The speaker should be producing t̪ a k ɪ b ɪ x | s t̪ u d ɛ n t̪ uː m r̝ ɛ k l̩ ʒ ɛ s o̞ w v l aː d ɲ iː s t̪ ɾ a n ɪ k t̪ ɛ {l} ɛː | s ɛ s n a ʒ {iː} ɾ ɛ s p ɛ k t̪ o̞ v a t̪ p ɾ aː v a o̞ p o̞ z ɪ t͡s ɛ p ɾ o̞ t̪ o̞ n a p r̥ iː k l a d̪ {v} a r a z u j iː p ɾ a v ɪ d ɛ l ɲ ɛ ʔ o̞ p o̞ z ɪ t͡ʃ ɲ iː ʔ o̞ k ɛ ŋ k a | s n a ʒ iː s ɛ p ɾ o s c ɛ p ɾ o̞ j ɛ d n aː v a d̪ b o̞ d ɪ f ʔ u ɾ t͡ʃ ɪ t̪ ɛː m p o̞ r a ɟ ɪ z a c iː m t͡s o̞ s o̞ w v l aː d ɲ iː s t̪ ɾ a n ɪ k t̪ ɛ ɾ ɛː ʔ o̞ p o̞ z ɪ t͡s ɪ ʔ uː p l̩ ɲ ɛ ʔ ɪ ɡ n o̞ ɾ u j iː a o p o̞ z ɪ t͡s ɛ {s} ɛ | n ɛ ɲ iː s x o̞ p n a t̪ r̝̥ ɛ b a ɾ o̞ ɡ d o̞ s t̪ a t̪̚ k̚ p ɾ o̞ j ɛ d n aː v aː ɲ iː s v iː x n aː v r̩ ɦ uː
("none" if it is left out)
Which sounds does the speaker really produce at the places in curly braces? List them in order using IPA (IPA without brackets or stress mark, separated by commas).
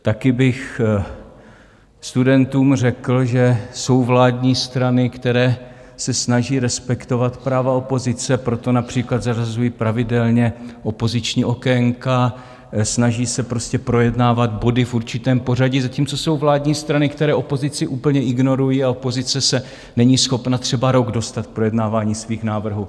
ɾ, iː, z, s